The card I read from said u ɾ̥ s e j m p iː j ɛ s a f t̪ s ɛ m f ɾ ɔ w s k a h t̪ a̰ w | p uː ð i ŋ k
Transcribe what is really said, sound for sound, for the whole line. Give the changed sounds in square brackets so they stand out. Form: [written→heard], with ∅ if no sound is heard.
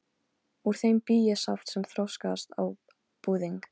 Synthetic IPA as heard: u ɾ̥ [s→θ] e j m p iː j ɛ s a f t̪ s ɛ m [f→θ] ɾ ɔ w s k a [h→s] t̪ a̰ w | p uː ð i ŋ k